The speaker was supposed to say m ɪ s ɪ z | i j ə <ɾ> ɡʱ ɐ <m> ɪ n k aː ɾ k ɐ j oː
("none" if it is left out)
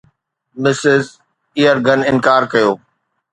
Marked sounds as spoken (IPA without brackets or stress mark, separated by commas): ɾ, n